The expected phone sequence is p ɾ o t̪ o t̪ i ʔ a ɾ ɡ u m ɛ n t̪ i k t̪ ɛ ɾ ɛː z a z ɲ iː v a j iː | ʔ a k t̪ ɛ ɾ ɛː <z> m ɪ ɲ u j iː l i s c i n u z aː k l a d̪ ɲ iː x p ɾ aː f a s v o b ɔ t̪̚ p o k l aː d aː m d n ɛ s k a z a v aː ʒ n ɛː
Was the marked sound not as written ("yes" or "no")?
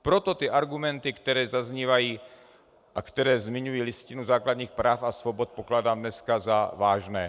no